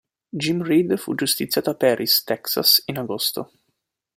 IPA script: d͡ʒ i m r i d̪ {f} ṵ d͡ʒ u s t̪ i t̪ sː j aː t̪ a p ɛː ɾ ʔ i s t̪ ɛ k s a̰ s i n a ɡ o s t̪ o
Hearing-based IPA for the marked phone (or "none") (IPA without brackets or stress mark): f